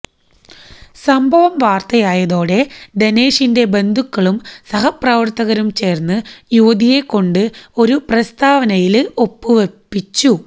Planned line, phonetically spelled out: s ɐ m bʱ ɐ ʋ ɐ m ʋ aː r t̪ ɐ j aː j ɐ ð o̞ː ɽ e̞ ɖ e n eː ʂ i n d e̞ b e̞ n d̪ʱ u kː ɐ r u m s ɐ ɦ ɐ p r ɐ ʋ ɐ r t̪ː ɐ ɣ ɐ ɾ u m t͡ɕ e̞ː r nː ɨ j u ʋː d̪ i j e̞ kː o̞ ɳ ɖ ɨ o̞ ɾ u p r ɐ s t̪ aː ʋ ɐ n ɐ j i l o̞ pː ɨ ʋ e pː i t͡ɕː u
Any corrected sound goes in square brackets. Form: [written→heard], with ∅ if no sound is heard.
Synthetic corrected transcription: s ɐ m bʱ ɐ ʋ ɐ m ʋ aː r t̪ ɐ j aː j ɐ ð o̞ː ɽ e̞ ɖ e n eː ʂ i n d e̞ b e̞ n d̪ʱ u kː ɐ [r→ɭ] u m s ɐ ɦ ɐ p r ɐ ʋ ɐ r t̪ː ɐ ɣ ɐ ɾ u m t͡ɕ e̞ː r nː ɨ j u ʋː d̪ i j e̞ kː o̞ ɳ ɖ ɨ o̞ ɾ u p r ɐ s t̪ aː ʋ ɐ n ɐ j i l o̞ pː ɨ ʋ e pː i t͡ɕː u